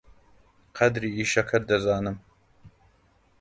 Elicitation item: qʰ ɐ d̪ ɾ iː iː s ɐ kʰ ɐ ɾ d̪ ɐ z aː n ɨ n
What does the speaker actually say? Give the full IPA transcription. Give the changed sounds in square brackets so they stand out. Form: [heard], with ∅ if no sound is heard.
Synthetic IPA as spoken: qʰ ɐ d̪ ɾ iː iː [ʃ] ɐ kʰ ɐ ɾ d̪ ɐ z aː n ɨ [m]